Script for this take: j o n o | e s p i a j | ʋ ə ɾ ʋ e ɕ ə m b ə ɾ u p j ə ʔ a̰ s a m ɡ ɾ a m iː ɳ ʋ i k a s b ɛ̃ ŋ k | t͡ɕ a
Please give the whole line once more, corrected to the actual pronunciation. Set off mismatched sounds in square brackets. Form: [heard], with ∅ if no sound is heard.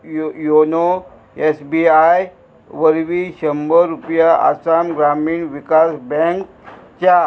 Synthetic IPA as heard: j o n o | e s [b] i a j | ʋ ə ɾ ʋ [i] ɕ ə m b ə ɾ u p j [a] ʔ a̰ s a m ɡ ɾ a m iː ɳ ʋ i k a s b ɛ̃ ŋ k | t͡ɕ a